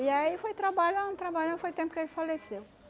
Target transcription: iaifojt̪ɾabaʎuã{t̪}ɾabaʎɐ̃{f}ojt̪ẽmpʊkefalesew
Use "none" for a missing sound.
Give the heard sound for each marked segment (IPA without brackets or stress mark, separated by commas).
t̪, f